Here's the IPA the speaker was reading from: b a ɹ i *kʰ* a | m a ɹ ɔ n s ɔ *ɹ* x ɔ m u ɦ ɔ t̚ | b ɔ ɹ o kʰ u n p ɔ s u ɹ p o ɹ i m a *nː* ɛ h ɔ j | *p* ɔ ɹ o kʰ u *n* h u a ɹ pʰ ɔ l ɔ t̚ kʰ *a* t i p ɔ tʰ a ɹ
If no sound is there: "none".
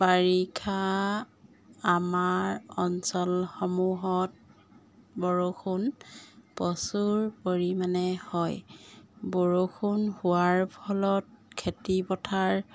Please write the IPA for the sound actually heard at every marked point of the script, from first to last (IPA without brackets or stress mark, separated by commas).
kʰ, l, n, b, n, e